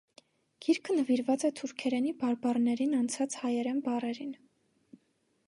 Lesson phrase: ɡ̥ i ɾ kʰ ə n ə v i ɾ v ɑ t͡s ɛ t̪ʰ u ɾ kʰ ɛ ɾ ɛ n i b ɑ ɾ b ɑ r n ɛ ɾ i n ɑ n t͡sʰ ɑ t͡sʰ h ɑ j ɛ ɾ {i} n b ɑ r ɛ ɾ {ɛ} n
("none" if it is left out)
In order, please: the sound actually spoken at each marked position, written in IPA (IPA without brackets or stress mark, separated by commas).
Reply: ɛ, i